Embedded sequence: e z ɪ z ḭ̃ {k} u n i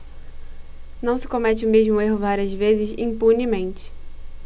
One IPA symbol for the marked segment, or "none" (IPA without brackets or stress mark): p